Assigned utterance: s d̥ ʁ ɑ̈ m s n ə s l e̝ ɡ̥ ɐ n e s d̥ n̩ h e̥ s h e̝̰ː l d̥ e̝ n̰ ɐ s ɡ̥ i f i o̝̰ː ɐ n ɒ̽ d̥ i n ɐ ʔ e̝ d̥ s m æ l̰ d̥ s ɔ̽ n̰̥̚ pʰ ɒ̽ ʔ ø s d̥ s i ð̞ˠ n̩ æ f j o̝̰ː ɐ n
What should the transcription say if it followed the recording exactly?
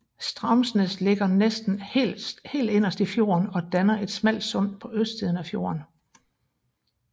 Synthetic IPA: s d̥ ʁ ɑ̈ m s n ə s l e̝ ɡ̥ ɐ n e s d̥ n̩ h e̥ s h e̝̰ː l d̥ e̝ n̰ ɐ s d̥ i f j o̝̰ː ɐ n ɒ̽ d̥ æ n ɐ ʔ e̝ d̥ s m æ l̰ d̥ s ɔ̽ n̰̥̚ pʰ ɒ̽ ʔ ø s d̥ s i ð̞ˠ n̩ æ f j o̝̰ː ɐ n